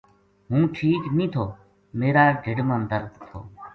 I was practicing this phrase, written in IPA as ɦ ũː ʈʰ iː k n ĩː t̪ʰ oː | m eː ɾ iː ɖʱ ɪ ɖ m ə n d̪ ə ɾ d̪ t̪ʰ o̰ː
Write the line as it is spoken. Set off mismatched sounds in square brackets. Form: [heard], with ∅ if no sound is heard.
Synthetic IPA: ɦ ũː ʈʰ iː k n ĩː t̪ʰ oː | m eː ɾ [aː] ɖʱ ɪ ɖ m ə n d̪ ə ɾ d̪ t̪ʰ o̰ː

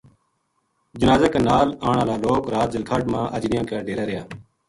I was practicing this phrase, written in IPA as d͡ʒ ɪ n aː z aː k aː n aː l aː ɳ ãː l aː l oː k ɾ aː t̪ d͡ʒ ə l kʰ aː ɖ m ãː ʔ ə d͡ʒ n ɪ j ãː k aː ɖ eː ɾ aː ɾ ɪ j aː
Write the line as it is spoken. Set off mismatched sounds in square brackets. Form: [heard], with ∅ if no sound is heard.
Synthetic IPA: d͡ʒ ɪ n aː z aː k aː n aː l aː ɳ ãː l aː l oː k ɾ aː t̪ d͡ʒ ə l kʰ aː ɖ m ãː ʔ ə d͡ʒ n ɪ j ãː k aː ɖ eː ɾ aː ɾ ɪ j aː

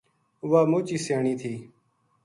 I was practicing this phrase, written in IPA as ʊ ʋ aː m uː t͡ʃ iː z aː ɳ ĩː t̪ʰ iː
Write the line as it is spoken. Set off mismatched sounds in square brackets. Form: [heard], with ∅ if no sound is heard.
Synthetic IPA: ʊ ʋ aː m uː t͡ʃ iː [s] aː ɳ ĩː t̪ʰ iː

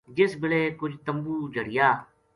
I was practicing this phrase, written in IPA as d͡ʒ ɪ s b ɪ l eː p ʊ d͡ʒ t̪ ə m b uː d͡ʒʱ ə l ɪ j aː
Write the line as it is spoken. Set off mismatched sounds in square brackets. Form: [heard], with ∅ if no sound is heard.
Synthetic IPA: d͡ʒ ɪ s b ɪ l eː [k] ʊ d͡ʒ t̪ ə m b uː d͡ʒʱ ə [ɽ] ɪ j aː

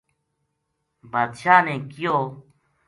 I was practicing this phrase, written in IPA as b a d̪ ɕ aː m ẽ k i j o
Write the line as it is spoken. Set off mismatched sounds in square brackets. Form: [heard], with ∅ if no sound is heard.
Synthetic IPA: b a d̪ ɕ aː [n] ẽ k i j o

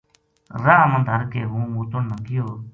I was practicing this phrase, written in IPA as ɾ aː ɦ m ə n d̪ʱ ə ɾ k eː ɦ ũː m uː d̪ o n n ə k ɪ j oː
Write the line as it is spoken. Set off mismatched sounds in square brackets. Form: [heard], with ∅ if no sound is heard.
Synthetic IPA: ɾ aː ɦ m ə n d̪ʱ ə ɾ k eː ɦ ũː m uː [t̪] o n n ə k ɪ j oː

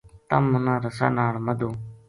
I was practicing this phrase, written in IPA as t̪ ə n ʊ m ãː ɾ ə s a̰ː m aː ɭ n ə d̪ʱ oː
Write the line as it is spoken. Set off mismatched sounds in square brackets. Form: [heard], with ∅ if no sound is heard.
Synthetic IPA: t̪ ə [m] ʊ [n] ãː ɾ ə s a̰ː [n] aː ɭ [m] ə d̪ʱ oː

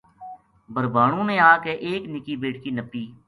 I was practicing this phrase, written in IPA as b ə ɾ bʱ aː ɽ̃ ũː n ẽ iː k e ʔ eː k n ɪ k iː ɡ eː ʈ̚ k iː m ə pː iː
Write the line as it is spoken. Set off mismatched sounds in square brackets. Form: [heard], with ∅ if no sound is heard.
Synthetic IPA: b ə ɾ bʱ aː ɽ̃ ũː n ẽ [aː] k e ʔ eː k n ɪ k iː [b] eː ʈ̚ k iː [n] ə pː iː

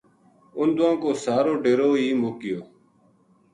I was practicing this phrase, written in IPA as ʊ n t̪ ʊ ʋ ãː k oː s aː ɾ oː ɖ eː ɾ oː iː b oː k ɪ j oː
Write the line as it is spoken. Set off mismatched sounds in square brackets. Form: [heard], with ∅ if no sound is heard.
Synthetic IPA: ʊ n [d̪] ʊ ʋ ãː k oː s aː ɾ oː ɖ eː ɾ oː iː [m] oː k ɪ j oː

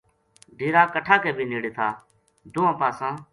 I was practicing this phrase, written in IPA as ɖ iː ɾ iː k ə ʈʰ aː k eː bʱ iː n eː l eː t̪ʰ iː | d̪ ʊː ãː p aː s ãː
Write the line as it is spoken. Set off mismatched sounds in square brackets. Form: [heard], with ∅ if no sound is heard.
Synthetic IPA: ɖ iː ɾ [aː] k ə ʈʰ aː k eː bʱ iː n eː [ɽ] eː t̪ʰ [aː] | d̪ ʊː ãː p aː s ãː

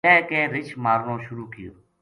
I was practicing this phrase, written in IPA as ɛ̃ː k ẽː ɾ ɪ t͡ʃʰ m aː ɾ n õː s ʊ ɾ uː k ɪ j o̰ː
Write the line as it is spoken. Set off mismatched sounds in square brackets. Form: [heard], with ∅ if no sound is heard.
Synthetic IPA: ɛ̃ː k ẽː ɾ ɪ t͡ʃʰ m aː ɾ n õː [ʃ] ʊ ɾ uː k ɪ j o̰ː

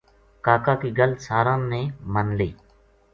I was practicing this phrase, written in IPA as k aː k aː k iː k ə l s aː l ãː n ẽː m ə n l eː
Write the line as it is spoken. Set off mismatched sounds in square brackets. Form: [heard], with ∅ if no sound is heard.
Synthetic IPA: k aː k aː k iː [ɡ] ə l s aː [ɾ] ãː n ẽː m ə n l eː

